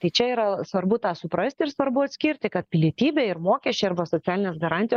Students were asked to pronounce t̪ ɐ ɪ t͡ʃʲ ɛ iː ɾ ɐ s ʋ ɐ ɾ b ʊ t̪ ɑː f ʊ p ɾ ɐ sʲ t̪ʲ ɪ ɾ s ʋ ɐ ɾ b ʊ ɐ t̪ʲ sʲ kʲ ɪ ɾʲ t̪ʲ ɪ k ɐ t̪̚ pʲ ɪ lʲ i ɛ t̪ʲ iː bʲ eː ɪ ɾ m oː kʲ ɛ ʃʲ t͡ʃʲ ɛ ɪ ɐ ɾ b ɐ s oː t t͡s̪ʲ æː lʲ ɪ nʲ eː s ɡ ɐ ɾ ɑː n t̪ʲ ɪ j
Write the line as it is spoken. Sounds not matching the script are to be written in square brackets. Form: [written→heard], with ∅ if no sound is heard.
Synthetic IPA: t̪ ɐ ɪ t͡ʃʲ ɛ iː ɾ ɐ s ʋ ɐ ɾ b ʊ t̪ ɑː [f→s] ʊ p ɾ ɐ sʲ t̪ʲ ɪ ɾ s ʋ ɐ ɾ b ʊ ɐ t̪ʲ sʲ kʲ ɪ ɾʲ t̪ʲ ɪ k ɐ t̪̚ pʲ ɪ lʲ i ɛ t̪ʲ iː bʲ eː ɪ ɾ m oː kʲ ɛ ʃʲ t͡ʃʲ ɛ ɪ ɐ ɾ b ɐ s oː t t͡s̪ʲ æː lʲ ɪ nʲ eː s ɡ ɐ ɾ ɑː n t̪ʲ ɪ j